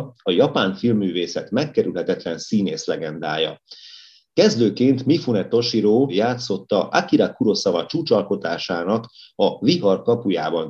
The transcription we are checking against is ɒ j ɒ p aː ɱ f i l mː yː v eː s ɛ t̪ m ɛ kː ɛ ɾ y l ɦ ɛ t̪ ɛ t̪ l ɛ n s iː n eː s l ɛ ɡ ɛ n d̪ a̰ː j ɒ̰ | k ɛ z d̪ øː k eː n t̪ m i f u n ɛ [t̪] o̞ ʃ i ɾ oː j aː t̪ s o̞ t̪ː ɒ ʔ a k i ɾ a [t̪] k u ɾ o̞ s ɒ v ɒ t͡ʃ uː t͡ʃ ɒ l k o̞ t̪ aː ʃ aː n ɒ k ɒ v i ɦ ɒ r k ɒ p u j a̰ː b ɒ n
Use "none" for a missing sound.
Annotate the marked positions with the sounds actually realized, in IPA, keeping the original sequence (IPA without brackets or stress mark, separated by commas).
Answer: t̪, none